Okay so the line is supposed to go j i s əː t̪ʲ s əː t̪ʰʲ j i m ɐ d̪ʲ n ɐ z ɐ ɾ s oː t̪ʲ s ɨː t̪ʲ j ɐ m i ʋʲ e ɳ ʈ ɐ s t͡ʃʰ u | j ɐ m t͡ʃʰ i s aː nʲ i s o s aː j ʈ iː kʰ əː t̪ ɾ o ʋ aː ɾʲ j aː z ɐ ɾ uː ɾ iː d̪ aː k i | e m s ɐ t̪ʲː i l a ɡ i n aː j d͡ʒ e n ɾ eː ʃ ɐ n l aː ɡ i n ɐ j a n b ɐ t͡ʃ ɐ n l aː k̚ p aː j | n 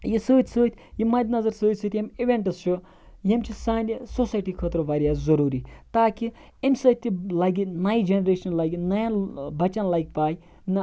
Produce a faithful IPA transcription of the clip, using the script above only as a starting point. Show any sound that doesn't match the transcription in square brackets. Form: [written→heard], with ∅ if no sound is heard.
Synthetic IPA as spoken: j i s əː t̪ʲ s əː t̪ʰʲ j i m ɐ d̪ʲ n ɐ z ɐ ɾ s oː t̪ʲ s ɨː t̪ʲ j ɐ m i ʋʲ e ɳ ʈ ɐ s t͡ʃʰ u | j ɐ m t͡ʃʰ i s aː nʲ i s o s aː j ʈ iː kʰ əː t̪ ɾ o ʋ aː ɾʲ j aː z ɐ ɾ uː ɾ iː [d̪→t̪] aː k i | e m s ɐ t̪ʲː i l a ɡ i n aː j d͡ʒ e n ɾ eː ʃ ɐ n l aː ɡ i n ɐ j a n b ɐ t͡ʃ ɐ n l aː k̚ p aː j | n